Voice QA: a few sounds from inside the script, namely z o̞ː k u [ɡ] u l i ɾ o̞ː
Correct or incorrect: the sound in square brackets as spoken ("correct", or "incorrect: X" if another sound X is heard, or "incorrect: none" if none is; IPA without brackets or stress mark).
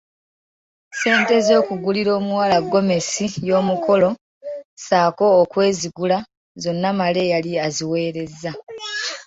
correct